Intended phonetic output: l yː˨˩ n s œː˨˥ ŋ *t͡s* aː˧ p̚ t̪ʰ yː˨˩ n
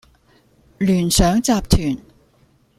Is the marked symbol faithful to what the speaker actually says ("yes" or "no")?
yes